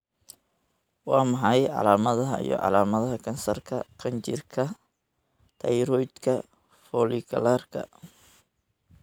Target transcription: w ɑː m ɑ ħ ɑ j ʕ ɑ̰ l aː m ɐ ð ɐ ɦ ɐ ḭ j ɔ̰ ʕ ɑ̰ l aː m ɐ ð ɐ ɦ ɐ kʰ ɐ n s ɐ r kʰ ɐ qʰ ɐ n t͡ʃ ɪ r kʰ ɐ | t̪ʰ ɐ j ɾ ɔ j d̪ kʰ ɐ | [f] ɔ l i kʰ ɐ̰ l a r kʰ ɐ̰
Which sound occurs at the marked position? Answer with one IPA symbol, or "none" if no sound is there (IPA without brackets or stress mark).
f